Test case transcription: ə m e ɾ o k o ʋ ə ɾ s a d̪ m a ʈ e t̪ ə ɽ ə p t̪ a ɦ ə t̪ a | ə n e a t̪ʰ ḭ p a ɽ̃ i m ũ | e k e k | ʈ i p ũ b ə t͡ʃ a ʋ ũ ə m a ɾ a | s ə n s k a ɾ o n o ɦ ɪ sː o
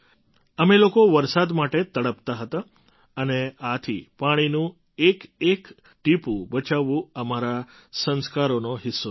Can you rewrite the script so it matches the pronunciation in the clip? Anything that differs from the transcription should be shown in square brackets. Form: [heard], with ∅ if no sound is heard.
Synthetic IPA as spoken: ə m e [l] o k o ʋ ə ɾ s a d̪ m a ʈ e t̪ ə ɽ ə p t̪ a ɦ ə t̪ a | ə n e a t̪ʰ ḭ p a ɽ̃ i [n] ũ | e k e k | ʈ i p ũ b ə t͡ʃ a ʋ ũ ə m a ɾ a | s ə n s k a ɾ o n o ɦ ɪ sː o